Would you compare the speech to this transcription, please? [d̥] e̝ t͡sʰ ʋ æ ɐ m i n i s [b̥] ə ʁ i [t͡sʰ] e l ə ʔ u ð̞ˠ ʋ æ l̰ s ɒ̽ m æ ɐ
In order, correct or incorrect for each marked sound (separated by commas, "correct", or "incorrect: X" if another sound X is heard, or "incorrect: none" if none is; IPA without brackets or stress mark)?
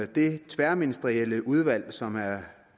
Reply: correct, incorrect: d̥, incorrect: none